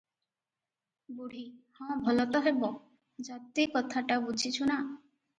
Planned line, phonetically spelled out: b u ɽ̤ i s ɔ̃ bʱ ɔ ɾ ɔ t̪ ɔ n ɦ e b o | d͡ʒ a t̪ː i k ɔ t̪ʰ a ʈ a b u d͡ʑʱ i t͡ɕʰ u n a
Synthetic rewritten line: b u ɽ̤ i h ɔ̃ bʱ ɔ l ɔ t̪ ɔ ɦ e b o | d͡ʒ a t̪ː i k ɔ t̪ʰ a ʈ a b u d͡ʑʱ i t͡ɕʰ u n a